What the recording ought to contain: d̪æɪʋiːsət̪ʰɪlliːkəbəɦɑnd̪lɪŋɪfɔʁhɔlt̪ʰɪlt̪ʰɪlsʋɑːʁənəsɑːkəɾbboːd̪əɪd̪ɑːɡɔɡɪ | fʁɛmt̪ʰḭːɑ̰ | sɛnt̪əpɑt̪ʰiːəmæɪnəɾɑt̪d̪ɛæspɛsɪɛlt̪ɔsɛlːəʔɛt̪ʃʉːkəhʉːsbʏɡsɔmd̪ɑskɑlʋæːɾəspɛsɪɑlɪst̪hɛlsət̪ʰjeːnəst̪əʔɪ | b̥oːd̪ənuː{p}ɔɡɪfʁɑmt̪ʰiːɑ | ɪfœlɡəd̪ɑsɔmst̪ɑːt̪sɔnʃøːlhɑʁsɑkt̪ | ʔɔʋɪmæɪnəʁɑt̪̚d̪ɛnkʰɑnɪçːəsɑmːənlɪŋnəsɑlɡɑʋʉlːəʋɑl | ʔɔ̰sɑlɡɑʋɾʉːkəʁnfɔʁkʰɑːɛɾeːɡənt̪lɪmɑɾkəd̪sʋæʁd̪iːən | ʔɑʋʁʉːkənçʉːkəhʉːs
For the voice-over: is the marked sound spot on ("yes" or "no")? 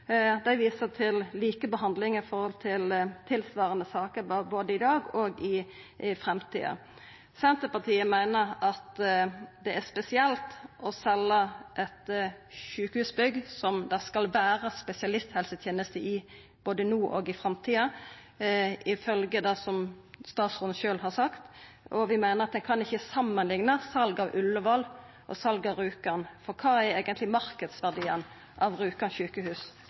no